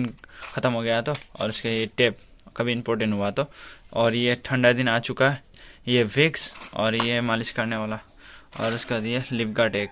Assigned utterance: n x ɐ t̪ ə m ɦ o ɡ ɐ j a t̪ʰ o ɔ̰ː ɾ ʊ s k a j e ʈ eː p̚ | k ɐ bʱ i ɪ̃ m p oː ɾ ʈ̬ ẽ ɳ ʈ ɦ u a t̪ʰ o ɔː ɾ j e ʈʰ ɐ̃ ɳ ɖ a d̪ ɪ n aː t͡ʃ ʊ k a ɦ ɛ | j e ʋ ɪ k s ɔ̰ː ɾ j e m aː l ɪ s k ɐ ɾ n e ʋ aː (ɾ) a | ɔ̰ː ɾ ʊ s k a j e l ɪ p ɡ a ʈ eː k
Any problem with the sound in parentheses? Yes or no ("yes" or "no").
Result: yes